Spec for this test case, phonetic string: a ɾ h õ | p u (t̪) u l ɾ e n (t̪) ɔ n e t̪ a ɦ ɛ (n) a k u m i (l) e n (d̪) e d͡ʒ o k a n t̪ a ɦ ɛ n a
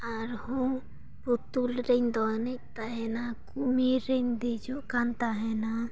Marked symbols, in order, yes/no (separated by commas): yes, no, yes, no, yes